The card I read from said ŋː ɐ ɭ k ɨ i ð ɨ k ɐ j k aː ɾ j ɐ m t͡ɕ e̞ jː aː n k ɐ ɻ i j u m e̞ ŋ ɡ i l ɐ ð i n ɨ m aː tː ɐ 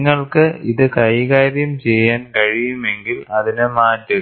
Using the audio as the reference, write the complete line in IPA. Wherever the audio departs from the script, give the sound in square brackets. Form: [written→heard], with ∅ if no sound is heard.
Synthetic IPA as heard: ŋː ɐ ɭ k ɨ i ð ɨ k ɐ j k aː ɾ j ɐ m t͡ɕ e̞ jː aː n k ɐ ɻ i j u m e̞ ŋ ɡ i l ɐ ð i n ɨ m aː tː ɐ